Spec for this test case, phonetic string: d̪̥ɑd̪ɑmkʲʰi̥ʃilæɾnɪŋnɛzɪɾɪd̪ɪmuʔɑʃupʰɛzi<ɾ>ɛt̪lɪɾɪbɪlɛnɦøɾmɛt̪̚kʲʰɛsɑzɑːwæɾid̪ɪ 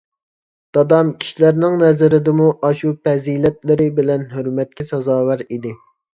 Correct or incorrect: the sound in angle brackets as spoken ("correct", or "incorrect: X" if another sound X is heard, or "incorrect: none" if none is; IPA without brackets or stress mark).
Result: incorrect: l